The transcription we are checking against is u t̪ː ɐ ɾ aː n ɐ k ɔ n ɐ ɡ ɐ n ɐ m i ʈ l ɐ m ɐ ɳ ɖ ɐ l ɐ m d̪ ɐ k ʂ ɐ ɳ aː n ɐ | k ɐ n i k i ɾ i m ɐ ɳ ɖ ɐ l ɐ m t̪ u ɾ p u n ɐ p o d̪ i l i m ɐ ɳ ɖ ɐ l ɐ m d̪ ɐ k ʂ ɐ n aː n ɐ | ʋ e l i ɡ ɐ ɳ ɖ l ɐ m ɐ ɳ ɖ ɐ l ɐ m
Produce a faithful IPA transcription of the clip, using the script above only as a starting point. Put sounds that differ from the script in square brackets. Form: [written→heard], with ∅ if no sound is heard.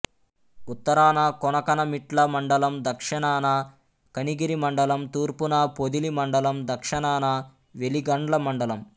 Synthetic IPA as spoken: u t̪ː ɐ ɾ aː n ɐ k ɔ n ɐ [ɡ→k] ɐ n ɐ m i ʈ l ɐ m ɐ ɳ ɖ ɐ l ɐ m d̪ ɐ k ʂ ɐ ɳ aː n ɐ | k ɐ n i [k→ɡ] i ɾ i m ɐ ɳ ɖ ɐ l ɐ m t̪ [u→uː] ɾ p u n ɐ p o d̪ i l i m ɐ ɳ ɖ ɐ l ɐ m d̪ ɐ k ʂ ɐ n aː n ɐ | ʋ e l i ɡ ɐ ɳ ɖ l ɐ m ɐ ɳ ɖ ɐ l ɐ m

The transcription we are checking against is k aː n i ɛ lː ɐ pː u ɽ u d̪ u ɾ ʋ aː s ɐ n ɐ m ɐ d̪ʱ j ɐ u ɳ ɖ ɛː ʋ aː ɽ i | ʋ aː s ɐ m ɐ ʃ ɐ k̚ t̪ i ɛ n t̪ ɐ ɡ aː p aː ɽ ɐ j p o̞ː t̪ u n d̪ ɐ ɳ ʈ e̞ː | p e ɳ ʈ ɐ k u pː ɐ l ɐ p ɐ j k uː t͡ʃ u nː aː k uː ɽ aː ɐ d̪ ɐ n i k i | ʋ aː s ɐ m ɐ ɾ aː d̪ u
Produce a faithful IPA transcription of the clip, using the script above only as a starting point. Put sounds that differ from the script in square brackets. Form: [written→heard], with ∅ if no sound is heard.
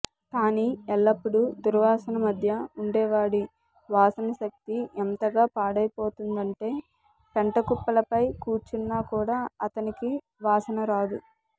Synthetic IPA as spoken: k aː n i ɛ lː ɐ pː u ɽ u d̪ u ɾ ʋ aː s ɐ n ɐ m ɐ d̪ʱ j ɐ u ɳ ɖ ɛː ʋ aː ɽ i | ʋ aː s ɐ [m→n] ɐ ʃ ɐ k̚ t̪ i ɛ n t̪ ɐ ɡ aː p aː ɽ ɐ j p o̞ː t̪ u n d̪ ɐ ɳ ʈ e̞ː | p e ɳ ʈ ɐ k u pː ɐ l ɐ p ɐ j k uː t͡ʃ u nː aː k uː ɽ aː ɐ [d̪→t̪] ɐ n i k i | ʋ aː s ɐ [m→n] ɐ ɾ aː d̪ u

